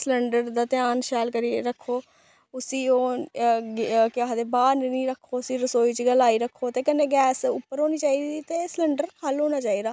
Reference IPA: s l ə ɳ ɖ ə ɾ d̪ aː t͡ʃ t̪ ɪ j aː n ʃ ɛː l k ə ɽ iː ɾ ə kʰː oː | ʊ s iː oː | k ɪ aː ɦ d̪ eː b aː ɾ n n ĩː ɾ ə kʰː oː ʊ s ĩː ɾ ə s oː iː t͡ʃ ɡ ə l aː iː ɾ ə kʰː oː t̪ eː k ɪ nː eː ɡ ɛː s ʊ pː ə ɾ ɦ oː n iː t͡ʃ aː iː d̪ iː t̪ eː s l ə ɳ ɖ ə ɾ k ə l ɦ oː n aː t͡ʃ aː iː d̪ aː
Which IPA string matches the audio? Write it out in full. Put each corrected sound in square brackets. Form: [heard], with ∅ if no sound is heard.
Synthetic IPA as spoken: s l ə ɳ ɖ ə ɾ d̪ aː [∅] t̪ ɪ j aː n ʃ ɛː l k ə [ɾ] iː ɾ ə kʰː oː | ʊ s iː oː | k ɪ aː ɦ d̪ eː b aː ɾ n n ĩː ɾ ə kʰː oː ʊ s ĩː ɾ ə s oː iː t͡ʃ ɡ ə l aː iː ɾ ə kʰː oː t̪ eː k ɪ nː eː ɡ ɛː s ʊ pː ə ɾ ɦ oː n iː t͡ʃ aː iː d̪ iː t̪ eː s l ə ɳ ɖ ə ɾ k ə l ɦ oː n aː t͡ʃ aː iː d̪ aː